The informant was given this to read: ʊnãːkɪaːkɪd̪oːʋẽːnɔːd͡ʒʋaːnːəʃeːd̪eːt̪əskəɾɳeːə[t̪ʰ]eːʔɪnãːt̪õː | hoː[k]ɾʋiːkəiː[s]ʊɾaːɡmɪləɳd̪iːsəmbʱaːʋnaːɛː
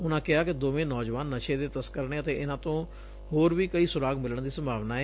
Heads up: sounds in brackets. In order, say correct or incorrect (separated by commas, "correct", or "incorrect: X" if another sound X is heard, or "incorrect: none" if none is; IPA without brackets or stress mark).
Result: incorrect: t̪, incorrect: none, correct